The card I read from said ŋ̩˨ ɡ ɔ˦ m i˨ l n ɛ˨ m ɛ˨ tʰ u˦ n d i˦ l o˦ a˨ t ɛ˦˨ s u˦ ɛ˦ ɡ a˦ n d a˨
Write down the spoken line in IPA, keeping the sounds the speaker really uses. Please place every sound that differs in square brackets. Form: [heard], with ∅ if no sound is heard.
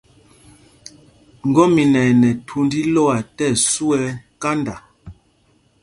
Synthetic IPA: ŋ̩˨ ɡ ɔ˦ m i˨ [∅] n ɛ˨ [n] ɛ˨ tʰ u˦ n d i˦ l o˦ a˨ t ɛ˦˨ s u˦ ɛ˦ [k] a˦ n d a˨